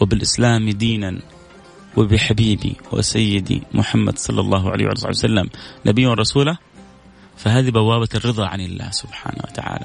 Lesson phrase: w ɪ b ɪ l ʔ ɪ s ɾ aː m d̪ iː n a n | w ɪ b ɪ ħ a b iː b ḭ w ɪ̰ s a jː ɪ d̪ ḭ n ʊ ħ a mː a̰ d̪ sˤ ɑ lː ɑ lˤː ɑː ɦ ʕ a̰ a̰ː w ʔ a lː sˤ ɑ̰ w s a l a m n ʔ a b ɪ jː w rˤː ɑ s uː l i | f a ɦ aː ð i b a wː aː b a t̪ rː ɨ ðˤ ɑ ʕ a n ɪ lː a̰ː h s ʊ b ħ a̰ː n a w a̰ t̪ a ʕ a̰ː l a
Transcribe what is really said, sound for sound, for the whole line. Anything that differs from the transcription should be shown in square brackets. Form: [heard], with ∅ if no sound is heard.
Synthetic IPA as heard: w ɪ b ɪ l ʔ ɪ s [l] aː m d̪ iː n a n | w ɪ b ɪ ħ a b iː b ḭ w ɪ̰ s a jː ɪ d̪ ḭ [m] ʊ ħ a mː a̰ d̪ sˤ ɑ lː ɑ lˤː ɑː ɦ ʕ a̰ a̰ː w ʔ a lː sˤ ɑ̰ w s a [lː] a m n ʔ a b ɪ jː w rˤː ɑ s uː l [a] | f a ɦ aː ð i b a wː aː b a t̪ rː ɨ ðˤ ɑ ʕ a n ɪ lː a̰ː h s ʊ b ħ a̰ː n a w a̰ t̪ a ʕ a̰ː l a